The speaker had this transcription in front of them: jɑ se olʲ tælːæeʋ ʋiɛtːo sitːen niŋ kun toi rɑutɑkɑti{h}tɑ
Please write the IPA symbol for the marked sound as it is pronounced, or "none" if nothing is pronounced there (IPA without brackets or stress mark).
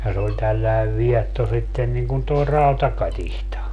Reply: h